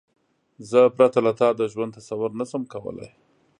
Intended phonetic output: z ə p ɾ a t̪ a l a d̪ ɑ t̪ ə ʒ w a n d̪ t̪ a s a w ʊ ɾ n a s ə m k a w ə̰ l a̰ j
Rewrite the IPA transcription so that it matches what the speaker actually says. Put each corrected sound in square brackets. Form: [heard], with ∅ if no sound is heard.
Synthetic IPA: z ə p ɾ a t̪ a l a [t̪] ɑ [d̪] ə ʒ w a n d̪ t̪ a s a w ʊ ɾ n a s ə m k a w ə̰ l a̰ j